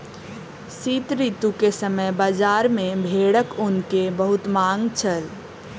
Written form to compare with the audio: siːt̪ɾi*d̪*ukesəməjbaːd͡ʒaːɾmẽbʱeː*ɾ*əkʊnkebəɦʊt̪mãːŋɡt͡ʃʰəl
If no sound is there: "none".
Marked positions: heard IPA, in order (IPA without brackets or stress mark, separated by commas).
t̪, ɽ